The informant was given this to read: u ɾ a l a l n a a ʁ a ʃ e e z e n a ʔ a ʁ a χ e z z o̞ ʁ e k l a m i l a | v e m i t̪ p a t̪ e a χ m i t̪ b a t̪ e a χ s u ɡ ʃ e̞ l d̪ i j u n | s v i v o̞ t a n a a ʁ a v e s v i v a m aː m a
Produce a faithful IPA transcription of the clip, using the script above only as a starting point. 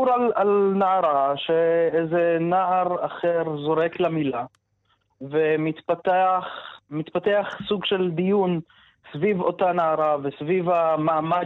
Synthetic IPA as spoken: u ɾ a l a l n a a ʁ a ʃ e e z e n a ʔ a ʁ a χ e ʁ z o̞ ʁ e k l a m i l a | v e m i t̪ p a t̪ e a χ m i t̪ p a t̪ e a χ s u ɡ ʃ e̞ l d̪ i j u n | s v i v o̞ t a n a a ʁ a v e s v i v a m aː m a